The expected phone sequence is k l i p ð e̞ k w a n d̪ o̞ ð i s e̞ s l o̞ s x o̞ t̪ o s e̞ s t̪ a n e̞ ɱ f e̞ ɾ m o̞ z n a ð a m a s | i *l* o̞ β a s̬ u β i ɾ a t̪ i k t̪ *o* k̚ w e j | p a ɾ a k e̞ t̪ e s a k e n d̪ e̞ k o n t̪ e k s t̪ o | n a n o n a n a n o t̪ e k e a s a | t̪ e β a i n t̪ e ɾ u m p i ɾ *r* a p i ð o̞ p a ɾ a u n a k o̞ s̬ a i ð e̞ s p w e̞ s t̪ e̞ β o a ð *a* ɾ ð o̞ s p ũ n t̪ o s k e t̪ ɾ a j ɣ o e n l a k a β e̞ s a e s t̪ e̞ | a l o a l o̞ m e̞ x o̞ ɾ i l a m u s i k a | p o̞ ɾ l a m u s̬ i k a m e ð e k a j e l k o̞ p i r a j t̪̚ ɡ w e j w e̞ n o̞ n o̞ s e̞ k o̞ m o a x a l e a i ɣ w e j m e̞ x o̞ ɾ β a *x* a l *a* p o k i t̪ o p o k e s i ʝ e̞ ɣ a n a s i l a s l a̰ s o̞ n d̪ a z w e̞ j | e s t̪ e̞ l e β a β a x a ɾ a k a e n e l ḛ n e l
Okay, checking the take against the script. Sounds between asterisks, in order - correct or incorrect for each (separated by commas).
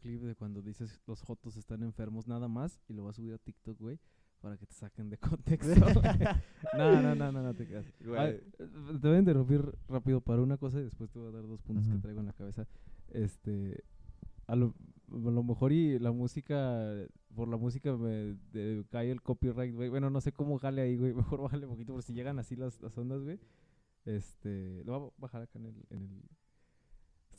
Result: correct, correct, correct, correct, correct, incorrect